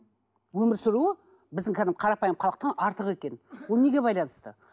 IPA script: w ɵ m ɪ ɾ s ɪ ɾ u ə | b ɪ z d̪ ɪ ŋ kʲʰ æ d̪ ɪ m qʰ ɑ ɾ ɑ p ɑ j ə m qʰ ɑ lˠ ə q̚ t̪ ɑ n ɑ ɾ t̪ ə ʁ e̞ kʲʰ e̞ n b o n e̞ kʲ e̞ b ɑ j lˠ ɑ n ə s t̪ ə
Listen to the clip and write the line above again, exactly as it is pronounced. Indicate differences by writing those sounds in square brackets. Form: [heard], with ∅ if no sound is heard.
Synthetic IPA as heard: w ɵ m ɪ ɾ s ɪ ɾ u ə | b ɪ z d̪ ɪ ŋ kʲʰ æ d̪ ɪ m qʰ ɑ ɾ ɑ p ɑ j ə m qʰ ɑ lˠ ə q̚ t̪ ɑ n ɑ ɾ t̪ ə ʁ e̞ [kʲ] e̞ n [w] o n e̞ [ɡʲ] e̞ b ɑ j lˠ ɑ n ə s t̪ ə